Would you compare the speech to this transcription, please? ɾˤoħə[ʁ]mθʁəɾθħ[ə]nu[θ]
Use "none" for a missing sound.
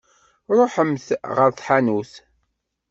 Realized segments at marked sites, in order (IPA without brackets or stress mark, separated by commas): none, a, θ